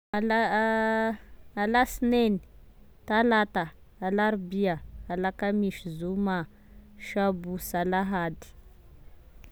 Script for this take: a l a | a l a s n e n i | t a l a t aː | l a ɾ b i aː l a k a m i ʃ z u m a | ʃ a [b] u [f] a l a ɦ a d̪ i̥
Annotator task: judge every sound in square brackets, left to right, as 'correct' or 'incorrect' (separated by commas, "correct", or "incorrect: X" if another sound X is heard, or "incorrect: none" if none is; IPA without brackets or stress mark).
correct, incorrect: s